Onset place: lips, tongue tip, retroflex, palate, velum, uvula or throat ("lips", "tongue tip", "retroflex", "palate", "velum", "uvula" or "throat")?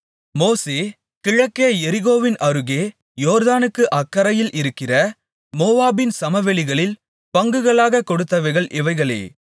lips